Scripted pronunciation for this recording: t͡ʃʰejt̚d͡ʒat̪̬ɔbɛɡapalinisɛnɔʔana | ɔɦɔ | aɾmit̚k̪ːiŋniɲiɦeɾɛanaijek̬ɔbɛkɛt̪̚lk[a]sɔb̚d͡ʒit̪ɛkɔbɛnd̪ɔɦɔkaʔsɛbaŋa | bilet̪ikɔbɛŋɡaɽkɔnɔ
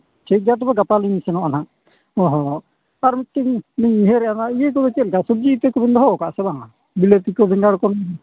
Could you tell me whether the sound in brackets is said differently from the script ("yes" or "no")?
no